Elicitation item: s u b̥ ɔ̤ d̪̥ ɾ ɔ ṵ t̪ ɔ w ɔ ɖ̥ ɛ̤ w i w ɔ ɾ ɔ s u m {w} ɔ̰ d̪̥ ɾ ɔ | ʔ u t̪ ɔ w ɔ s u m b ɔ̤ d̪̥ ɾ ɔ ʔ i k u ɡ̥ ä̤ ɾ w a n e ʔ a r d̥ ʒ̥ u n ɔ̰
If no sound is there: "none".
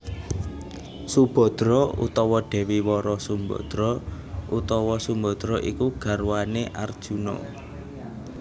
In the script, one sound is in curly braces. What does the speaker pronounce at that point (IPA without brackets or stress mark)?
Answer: b